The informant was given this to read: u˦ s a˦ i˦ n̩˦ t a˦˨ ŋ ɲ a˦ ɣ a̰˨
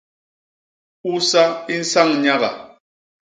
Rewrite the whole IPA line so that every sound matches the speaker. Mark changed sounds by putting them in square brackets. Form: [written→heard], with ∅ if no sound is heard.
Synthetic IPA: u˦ s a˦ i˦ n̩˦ [t→s] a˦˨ ŋ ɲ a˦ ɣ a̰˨